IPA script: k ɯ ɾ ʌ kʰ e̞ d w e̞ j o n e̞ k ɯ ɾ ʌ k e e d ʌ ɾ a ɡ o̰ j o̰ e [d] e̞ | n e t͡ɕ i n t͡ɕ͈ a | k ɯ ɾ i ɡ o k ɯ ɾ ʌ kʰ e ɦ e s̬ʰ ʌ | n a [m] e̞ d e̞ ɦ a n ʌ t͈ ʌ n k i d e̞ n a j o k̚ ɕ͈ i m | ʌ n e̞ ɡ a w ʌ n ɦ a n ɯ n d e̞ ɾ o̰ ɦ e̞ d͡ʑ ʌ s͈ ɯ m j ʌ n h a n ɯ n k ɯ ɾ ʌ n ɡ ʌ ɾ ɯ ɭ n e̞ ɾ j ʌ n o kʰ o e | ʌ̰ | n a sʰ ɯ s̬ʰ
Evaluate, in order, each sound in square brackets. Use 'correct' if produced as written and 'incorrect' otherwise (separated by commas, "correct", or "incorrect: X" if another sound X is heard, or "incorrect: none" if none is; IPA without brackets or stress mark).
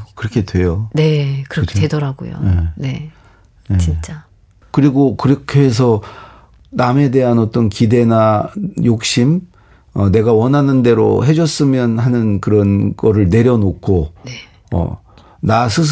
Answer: incorrect: n, correct